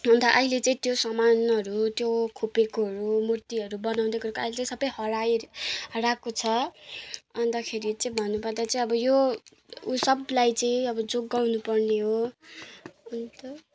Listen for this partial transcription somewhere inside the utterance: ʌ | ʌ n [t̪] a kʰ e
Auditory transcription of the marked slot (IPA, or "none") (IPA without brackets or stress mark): d̪